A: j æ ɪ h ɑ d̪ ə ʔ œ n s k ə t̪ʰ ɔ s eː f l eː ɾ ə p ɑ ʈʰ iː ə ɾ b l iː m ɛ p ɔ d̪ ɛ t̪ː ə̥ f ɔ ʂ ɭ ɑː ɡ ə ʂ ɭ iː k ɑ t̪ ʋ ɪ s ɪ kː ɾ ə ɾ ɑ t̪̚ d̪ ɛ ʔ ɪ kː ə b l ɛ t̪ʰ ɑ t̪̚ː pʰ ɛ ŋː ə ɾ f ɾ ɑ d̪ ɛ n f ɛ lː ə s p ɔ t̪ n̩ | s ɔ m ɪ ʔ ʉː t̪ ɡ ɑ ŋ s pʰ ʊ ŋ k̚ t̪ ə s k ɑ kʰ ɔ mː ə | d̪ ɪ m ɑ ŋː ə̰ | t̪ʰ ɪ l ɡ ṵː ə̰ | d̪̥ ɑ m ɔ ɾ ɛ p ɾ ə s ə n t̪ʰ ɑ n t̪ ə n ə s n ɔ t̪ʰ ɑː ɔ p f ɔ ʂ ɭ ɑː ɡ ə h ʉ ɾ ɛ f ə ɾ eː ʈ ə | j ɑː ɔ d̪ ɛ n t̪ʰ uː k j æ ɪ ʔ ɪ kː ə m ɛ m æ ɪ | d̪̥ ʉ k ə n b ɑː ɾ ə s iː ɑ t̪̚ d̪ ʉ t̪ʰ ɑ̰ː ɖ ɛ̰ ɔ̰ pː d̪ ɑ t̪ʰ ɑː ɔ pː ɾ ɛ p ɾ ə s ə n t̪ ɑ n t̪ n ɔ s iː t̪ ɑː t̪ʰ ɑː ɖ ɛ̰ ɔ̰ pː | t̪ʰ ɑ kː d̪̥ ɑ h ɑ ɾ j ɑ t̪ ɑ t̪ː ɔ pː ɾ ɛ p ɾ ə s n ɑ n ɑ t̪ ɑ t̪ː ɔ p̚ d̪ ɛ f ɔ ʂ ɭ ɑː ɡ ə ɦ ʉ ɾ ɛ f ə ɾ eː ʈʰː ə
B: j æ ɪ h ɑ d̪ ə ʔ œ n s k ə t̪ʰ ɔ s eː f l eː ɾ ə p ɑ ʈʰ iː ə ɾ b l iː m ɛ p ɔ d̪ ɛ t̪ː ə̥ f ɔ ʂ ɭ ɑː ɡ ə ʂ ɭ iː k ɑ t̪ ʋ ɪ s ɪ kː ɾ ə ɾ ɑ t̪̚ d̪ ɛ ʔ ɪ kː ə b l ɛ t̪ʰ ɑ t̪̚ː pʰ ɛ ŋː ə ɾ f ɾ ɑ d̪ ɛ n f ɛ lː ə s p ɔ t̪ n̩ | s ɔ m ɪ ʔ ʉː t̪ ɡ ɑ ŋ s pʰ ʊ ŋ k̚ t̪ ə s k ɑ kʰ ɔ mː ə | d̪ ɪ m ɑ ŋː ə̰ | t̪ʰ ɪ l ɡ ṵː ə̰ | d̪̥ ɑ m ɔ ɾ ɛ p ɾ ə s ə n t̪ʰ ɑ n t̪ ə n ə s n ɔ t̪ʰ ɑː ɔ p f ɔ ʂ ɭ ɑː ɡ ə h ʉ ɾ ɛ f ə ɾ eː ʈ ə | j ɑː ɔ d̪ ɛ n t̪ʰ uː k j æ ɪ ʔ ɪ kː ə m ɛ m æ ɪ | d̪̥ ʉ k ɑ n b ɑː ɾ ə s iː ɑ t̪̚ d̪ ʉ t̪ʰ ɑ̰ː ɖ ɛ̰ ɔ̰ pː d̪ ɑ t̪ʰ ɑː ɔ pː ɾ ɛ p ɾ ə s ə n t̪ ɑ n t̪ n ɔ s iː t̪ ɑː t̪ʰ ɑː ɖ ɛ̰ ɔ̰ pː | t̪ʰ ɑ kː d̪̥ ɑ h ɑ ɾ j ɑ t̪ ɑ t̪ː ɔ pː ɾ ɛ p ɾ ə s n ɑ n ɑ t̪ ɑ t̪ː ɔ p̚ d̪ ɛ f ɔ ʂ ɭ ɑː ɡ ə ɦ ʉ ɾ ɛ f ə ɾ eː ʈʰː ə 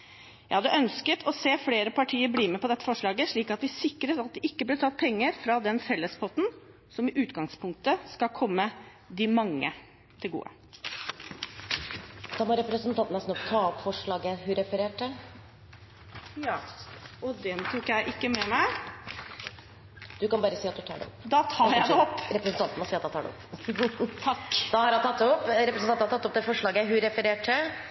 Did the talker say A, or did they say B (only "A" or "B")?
B